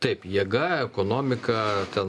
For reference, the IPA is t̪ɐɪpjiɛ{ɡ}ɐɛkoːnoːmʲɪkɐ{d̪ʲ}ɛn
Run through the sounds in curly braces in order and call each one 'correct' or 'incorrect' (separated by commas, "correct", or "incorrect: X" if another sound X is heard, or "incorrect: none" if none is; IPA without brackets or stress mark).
correct, incorrect: t̪ʲ